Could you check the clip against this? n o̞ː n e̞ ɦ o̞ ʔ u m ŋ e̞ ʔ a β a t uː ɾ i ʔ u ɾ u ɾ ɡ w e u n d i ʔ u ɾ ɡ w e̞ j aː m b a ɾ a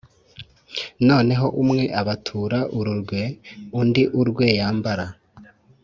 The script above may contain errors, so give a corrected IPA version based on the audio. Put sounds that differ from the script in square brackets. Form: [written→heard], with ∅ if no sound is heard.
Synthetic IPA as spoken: n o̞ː n e̞ ɦ o̞ ʔ u m ŋ e̞ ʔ a β a [t→tʰ] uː ɾ [i→a] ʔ u ɾ u ɾ ɡ w e u n d i ʔ u ɾ ɡ w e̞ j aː m b a ɾ a